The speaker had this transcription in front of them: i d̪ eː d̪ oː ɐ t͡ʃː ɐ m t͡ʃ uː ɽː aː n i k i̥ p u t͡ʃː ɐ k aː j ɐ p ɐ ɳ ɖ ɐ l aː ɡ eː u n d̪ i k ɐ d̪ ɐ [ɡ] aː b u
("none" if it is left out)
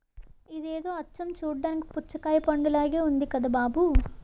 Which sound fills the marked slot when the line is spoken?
b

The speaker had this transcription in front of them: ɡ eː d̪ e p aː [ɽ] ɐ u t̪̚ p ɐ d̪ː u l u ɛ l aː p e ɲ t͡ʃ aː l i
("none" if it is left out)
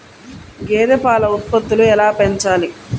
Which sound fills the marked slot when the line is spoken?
l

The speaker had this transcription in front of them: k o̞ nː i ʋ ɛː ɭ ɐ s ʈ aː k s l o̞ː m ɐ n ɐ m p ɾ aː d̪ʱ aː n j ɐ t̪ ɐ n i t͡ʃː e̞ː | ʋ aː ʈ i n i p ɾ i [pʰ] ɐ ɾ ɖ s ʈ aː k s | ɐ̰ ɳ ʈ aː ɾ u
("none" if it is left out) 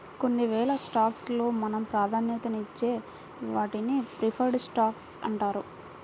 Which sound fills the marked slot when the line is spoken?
pʰ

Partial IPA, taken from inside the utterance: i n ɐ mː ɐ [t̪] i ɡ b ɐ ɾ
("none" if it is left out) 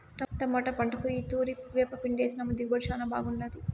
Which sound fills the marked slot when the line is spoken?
d̪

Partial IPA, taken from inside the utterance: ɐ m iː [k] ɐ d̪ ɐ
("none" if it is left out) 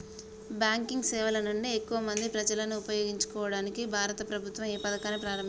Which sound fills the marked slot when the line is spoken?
p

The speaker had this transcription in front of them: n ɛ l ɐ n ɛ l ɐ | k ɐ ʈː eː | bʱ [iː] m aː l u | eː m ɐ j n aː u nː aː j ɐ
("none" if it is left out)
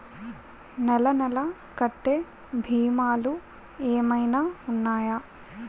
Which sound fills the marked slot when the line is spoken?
iː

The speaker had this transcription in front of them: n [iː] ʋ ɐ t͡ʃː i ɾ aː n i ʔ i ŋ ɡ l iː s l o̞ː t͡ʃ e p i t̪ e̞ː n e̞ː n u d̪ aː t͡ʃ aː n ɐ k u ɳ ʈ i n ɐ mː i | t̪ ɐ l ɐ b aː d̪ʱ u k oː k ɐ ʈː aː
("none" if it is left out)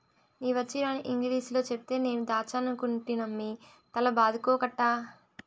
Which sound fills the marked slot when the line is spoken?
iː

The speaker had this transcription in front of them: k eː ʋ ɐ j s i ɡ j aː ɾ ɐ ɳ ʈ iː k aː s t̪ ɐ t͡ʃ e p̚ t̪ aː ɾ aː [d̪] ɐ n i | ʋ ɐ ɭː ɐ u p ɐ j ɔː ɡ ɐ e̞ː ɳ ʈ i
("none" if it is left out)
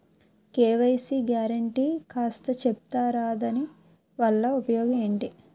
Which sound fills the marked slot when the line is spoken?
d̪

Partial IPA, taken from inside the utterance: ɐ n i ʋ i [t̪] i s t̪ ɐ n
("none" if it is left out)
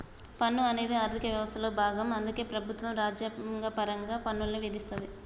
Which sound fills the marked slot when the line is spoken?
d̪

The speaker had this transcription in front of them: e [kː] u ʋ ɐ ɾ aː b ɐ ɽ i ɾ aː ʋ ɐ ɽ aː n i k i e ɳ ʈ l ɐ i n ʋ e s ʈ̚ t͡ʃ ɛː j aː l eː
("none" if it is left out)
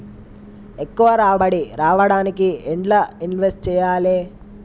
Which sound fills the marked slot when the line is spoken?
kː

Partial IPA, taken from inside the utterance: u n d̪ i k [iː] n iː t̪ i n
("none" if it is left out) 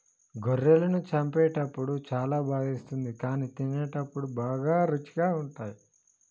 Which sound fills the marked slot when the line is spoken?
aː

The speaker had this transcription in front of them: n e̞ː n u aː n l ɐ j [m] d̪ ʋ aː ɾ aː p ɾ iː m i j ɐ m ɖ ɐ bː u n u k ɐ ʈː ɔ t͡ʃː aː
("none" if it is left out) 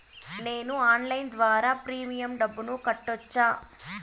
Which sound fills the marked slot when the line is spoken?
n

